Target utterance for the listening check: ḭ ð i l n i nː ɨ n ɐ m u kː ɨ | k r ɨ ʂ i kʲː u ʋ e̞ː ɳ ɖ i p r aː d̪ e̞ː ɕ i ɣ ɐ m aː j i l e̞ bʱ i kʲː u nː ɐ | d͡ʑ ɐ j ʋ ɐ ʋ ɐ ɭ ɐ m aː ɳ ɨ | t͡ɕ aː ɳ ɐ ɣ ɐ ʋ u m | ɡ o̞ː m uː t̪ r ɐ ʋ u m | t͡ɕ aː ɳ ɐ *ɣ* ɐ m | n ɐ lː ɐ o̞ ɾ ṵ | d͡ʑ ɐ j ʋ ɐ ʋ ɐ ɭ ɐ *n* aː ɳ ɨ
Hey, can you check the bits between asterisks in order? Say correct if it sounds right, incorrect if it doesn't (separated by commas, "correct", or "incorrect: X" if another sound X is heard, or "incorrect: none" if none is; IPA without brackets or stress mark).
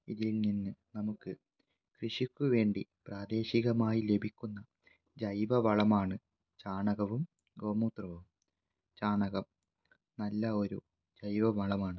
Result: correct, incorrect: m